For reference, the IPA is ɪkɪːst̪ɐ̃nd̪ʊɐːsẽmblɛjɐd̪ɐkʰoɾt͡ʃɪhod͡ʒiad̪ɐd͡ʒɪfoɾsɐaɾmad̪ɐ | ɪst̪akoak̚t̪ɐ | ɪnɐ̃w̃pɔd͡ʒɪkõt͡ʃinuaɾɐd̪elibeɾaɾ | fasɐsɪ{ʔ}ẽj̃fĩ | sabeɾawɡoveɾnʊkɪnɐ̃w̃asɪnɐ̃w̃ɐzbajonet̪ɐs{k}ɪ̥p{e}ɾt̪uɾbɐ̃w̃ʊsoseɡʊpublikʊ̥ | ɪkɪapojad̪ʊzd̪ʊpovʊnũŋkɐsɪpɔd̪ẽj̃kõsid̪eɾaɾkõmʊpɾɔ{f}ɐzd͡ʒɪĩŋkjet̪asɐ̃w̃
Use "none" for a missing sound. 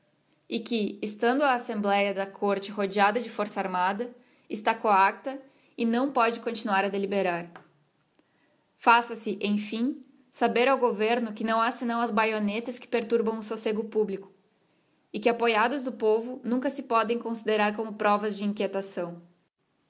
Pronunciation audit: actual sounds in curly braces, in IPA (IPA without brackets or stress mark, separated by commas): ʔ, k, e, v